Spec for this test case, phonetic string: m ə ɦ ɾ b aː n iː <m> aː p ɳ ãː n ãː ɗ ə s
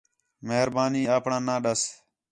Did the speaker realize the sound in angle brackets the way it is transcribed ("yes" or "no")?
no